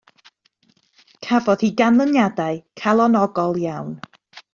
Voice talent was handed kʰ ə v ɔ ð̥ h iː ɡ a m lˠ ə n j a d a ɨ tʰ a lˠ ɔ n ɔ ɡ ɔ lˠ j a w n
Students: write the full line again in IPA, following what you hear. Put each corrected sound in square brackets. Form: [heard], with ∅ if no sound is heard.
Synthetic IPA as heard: kʰ [a] v ɔ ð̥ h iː ɡ a [n] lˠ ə n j a d a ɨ [kʰ] a lˠ ɔ n ɔ ɡ ɔ lˠ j a w n